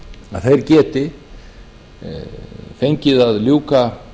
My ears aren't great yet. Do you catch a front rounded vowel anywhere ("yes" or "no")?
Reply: no